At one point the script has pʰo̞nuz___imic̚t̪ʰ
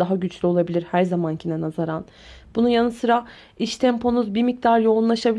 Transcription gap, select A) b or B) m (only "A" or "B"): A